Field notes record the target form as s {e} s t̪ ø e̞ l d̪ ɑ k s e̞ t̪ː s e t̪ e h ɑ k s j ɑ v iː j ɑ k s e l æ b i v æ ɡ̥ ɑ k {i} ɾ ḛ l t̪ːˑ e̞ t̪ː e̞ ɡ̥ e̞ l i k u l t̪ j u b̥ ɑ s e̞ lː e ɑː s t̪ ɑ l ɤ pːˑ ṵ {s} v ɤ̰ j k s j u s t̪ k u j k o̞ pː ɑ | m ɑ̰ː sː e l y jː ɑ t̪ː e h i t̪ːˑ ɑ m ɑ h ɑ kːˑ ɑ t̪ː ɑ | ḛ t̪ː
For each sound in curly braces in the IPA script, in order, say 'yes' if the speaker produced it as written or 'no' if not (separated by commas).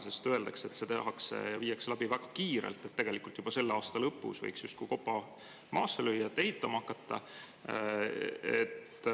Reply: yes, no, yes